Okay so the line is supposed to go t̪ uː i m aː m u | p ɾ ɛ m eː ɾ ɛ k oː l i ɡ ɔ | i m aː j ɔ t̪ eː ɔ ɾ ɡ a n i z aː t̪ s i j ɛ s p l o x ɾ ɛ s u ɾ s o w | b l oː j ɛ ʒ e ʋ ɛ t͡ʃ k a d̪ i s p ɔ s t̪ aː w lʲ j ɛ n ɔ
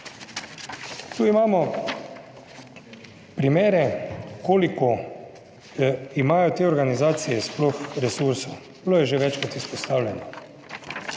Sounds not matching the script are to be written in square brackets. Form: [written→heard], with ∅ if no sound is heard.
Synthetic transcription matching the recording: t̪ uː i m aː m [u→ɔ] | p ɾ [ɛ→i] m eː ɾ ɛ k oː l i [ɡ→k] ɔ | i m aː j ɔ t̪ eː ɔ ɾ ɡ a n i z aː t̪ s i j ɛ s p l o x ɾ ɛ s u ɾ s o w | b l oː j ɛ ʒ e ʋ ɛ t͡ʃ k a [d̪→t̪] i s p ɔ s t̪ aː w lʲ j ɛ n ɔ